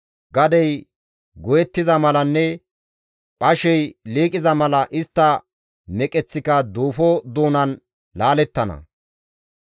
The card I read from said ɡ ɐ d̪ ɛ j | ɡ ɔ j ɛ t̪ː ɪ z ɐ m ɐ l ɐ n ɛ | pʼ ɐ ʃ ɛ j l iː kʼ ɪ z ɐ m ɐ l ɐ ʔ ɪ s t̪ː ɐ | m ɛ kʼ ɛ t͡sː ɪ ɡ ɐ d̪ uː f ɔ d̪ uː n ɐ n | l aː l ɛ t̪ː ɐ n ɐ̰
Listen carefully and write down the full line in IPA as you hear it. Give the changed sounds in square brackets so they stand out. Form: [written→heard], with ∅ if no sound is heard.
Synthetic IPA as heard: ɡ ɐ d̪ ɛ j | ɡ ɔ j ɛ t̪ː ɪ z ɐ m ɐ l ɐ [n→nː] ɛ | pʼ ɐ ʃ ɛ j l iː kʼ ɪ z ɐ m ɐ l ɐ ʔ ɪ s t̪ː ɐ | m ɛ kʼ ɛ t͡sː ɪ [ɡ→k] ɐ d̪ uː f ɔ d̪ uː n ɐ n | l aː l ɛ t̪ː ɐ n ɐ̰